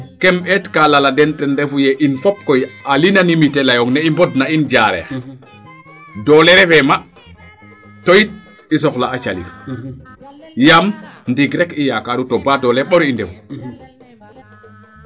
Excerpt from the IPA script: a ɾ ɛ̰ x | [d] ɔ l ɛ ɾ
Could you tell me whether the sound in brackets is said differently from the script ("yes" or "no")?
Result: no